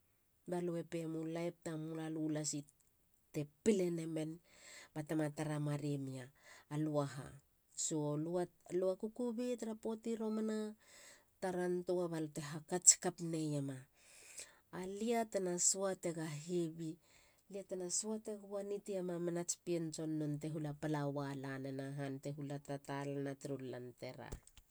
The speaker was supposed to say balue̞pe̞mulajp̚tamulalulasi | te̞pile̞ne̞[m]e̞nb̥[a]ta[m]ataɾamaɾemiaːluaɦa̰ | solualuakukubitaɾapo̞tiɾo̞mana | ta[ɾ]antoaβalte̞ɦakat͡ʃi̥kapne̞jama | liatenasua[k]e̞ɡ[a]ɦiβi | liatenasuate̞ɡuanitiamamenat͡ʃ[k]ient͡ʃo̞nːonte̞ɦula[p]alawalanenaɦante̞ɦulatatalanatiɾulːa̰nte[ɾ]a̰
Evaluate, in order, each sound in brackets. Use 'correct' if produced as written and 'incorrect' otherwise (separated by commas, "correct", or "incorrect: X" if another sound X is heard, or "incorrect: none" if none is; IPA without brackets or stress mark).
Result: correct, correct, correct, correct, incorrect: t, correct, incorrect: p, correct, correct